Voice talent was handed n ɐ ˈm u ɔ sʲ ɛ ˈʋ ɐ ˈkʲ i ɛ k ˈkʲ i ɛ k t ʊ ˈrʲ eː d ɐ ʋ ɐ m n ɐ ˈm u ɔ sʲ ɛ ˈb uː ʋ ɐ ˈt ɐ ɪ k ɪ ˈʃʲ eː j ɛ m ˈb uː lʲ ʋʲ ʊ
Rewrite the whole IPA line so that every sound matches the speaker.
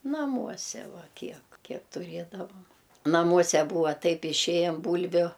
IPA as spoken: n ɐ ˈm u ɔ sʲ ɛ ˈʋ ɐ ˈkʲ i ɛ k ˈkʲ i ɛ k t ʊ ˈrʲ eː d ɐ ʋ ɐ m n ɐ ˈm u ɔ sʲ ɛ ˈb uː ʋ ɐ ˈt ɐ ɪ p ɪ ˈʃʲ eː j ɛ m ˈb uː lʲ ʋʲ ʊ